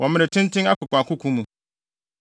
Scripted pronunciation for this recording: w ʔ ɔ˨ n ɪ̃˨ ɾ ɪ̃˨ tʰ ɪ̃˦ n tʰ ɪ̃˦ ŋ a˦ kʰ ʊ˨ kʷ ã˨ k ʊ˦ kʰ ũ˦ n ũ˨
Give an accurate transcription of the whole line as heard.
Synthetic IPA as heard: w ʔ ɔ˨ m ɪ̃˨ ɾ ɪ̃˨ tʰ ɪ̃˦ n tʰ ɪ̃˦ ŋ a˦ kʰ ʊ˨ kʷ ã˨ k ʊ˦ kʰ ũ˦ m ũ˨